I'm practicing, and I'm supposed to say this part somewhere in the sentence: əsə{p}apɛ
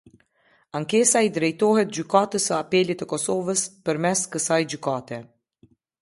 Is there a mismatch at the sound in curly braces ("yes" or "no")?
yes